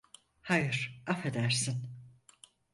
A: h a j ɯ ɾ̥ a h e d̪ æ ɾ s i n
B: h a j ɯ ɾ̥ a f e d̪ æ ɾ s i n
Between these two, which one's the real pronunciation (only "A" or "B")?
B